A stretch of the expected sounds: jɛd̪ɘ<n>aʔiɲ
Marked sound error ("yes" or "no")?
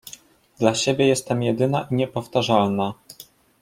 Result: no